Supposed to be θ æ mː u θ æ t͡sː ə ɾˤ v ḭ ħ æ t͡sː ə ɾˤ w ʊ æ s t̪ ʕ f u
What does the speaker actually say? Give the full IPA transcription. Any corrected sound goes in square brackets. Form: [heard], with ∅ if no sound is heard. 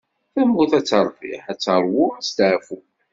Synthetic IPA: θ æ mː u θ æ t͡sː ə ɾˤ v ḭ ħ æ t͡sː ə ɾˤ w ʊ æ s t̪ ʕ f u